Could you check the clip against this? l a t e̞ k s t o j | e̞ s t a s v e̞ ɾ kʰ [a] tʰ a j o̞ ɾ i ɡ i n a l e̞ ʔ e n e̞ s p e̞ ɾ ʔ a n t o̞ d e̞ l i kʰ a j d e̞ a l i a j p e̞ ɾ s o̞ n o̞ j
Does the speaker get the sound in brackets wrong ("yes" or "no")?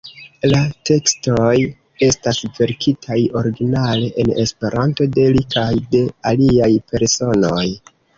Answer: yes